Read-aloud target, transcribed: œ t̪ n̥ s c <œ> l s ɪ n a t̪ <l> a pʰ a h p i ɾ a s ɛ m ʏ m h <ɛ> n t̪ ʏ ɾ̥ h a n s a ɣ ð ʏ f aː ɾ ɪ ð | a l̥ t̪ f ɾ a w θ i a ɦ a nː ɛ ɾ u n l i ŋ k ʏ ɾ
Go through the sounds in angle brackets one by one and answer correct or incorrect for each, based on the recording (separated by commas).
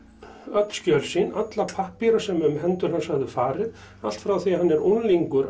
correct, correct, correct